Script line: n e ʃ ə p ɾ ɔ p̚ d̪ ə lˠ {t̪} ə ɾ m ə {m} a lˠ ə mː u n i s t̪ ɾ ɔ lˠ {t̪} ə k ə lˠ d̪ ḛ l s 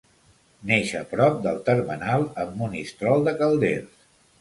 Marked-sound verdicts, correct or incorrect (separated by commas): correct, incorrect, incorrect